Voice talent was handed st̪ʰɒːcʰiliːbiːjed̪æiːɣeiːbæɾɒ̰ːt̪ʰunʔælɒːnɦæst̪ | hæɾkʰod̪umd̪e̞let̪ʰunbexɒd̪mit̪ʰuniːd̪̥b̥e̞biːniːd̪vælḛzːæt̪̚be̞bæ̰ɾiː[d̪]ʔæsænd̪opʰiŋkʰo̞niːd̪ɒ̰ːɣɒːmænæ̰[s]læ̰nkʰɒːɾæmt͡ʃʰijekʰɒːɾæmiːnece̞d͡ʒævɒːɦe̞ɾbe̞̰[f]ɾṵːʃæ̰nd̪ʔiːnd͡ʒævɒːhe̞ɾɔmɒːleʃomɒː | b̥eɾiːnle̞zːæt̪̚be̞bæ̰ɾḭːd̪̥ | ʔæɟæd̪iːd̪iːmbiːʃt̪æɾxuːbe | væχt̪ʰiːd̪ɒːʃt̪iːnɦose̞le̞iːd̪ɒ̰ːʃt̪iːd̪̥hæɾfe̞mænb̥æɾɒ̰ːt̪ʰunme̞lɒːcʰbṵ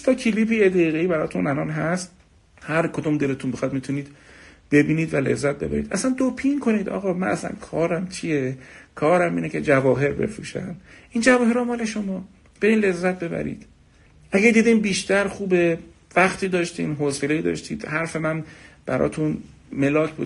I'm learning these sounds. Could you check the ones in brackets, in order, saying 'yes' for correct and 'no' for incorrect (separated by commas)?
yes, yes, yes